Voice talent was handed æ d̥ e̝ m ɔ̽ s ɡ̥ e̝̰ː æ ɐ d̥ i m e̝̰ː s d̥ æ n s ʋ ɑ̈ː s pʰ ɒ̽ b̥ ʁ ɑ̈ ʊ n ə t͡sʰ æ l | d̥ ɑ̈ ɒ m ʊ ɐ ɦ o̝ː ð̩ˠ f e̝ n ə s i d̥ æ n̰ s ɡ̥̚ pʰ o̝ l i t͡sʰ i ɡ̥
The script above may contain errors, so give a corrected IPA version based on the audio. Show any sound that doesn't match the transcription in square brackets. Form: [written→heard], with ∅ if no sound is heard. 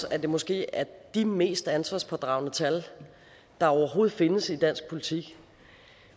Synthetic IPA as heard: æ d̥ e̝ m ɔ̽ s ɡ̥ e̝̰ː æ ɐ d̥ i m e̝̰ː s d̥ æ n s ʋ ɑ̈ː s pʰ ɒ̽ [b̥→d̥] ʁ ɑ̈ ʊ n ə t͡sʰ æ l | d̥ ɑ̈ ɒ [m→∅] ʊ ɐ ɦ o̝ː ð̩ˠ f e̝ n ə s i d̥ æ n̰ s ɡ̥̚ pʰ o̝ l i t͡sʰ i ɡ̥